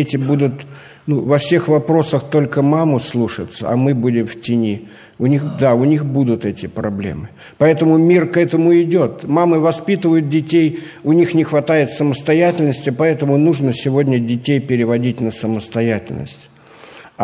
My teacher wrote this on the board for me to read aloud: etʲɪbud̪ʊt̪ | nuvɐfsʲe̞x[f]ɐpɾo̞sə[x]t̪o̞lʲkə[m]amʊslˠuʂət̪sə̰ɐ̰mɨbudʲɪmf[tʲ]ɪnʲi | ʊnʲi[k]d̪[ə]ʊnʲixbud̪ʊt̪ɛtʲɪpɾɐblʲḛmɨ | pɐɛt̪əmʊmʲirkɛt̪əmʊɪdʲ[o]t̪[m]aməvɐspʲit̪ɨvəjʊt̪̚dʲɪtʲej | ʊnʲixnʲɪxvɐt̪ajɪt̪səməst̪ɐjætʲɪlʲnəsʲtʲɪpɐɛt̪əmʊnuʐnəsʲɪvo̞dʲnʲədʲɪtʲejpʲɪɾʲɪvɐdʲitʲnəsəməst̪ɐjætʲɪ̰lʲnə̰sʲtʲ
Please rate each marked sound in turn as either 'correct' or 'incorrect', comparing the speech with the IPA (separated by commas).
incorrect, correct, correct, correct, incorrect, incorrect, correct, correct